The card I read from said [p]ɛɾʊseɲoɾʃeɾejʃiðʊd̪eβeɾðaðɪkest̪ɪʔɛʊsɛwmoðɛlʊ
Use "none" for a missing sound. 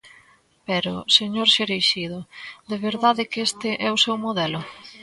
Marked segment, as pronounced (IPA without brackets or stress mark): p